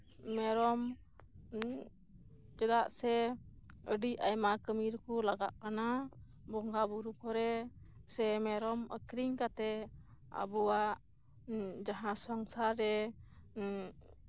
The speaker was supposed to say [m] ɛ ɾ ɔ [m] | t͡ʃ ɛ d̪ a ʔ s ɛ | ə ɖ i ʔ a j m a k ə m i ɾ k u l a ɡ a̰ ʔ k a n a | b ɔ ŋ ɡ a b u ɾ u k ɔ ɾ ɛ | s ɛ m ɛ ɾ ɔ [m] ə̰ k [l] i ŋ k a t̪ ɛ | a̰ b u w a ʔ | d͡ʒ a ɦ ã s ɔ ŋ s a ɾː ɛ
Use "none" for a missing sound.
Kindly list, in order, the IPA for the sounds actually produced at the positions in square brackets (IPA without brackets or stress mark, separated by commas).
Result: m, m, m, ɾ